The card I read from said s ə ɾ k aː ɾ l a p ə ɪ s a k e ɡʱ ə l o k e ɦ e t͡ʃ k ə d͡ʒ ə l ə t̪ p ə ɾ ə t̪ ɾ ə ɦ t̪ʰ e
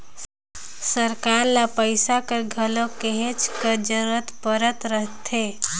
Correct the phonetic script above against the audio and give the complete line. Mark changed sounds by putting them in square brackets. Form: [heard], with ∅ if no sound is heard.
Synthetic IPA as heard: s ə ɾ k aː ɾ l a p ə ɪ s a k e ɡʱ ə l o k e ɦ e t͡ʃ k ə d͡ʒ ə [ɾ] ə t̪ p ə ɾ ə t̪ ɾ ə ɦ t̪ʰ e